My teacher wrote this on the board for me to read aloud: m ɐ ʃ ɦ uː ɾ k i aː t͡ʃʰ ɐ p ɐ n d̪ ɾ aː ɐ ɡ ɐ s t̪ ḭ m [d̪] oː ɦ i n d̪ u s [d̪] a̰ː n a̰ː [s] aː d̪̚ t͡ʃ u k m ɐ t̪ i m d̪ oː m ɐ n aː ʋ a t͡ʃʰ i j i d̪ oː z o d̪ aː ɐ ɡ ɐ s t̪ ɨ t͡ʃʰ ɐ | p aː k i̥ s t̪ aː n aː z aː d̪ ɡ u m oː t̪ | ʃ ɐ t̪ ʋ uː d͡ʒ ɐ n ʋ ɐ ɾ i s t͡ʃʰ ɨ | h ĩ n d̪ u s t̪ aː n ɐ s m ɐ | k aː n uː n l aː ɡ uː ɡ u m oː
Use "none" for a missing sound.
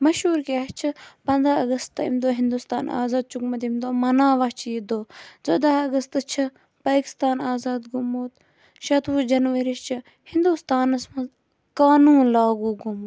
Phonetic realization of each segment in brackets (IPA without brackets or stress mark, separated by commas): d̪, t̪, z